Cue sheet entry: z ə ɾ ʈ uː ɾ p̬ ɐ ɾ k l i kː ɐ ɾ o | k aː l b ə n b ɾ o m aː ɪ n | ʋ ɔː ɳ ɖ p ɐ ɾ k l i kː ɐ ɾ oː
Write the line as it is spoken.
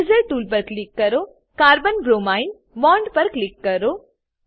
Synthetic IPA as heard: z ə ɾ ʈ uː l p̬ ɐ ɾ k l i kː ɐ ɾ o | k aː ɾ b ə n b ɾ o m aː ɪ n | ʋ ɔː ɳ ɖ p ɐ ɾ k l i kː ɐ ɾ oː